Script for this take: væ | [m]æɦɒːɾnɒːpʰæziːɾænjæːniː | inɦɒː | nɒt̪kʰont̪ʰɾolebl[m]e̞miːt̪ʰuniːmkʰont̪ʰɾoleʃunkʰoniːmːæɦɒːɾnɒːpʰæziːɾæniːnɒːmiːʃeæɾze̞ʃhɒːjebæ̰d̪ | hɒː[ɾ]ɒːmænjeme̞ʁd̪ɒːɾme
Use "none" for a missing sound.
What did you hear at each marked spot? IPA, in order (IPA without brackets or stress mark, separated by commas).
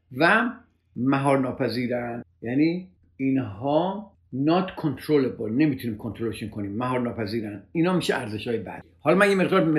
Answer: m, n, l